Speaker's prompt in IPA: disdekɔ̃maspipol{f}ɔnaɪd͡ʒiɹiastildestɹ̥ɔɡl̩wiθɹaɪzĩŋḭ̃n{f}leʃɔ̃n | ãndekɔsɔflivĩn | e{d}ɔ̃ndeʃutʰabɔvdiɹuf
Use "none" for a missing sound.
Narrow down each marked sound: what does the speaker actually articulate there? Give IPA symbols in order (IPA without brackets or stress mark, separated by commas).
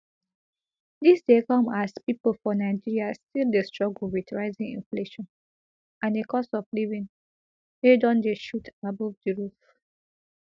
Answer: f, f, d